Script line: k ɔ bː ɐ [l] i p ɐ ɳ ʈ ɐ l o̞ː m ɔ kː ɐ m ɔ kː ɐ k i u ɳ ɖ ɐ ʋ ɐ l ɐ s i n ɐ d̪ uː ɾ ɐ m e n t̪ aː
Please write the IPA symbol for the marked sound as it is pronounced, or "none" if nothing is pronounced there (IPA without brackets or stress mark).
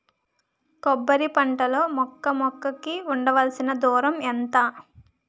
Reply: ɾ